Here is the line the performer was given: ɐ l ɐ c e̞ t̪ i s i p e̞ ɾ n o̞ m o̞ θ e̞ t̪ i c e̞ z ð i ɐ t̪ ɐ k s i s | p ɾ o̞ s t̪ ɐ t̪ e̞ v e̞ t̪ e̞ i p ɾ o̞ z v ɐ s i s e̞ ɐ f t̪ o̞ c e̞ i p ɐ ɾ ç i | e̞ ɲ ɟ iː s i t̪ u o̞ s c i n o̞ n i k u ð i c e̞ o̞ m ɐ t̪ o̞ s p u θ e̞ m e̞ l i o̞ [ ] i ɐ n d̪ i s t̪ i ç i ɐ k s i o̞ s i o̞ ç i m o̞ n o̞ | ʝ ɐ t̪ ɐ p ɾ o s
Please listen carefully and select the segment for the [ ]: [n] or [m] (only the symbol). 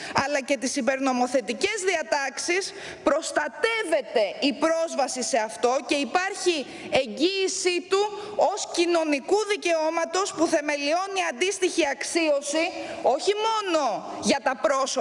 n